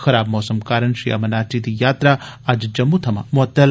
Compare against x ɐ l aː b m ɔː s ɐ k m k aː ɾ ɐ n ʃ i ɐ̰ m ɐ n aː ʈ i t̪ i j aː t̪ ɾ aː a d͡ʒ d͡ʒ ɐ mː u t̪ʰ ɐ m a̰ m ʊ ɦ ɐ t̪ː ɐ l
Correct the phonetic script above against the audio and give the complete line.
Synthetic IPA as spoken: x ɐ ɾ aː b m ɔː s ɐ m k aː ɾ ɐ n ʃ i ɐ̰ m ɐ n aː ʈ i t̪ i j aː t̪ ɾ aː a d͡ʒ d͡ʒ ɐ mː u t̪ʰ ɐ m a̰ m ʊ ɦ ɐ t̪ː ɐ l